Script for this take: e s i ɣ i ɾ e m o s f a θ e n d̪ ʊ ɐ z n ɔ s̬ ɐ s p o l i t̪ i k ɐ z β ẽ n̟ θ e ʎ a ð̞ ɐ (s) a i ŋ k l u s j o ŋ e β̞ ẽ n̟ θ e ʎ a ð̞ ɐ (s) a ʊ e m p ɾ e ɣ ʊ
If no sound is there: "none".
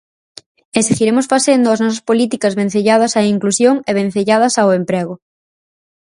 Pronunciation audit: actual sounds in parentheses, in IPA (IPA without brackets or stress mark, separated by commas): s, s